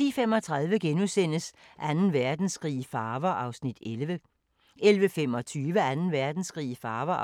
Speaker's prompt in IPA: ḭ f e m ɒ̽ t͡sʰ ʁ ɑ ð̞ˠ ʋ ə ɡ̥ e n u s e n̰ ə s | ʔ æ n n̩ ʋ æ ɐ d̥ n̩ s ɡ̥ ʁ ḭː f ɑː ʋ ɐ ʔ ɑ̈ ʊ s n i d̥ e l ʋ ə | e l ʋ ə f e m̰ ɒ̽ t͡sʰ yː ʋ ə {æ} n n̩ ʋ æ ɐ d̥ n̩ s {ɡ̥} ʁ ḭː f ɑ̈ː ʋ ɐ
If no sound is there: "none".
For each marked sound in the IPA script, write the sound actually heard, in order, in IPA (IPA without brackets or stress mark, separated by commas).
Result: æ, ɡ̥